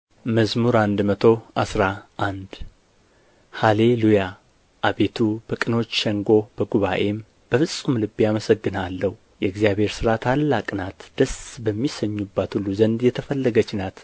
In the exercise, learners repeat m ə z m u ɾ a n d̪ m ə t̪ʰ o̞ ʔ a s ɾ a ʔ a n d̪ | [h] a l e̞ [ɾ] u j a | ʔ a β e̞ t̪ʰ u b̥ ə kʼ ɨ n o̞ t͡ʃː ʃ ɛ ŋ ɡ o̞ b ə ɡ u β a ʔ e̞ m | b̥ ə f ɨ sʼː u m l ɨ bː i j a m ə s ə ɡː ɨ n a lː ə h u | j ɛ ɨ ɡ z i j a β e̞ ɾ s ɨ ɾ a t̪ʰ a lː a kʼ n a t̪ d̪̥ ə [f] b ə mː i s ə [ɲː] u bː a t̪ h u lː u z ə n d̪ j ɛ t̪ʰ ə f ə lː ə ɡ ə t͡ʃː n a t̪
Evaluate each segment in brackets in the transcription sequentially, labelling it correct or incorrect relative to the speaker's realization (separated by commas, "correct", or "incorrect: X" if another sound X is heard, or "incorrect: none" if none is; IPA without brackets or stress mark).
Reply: correct, incorrect: l, incorrect: s, correct